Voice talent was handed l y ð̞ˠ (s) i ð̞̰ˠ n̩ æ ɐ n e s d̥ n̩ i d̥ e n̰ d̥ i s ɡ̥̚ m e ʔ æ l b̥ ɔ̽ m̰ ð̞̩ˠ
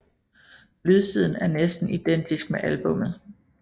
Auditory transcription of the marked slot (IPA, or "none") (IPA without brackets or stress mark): s